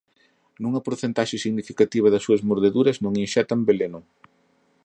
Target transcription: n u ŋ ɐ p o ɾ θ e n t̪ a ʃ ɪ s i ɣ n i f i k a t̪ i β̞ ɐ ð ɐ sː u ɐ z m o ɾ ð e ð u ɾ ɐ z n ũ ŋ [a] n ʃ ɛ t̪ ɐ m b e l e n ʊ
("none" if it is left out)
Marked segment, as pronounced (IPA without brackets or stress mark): i